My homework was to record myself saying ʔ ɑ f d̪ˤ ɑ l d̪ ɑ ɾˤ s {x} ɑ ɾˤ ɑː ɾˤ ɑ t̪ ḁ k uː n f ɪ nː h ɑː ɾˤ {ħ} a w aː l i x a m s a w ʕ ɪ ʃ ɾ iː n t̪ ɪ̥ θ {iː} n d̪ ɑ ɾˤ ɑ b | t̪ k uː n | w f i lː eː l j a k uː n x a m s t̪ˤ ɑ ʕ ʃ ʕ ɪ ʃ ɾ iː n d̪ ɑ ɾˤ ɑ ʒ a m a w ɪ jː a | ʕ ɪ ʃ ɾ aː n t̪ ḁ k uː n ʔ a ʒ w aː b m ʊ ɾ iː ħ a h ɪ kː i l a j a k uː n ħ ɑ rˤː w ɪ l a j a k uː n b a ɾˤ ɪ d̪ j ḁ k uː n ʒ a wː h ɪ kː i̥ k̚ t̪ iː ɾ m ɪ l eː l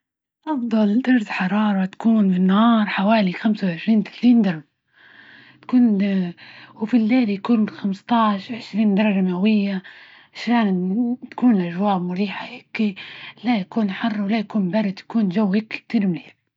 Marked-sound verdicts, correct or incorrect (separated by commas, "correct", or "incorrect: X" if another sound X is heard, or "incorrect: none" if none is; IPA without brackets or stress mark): incorrect: ħ, correct, correct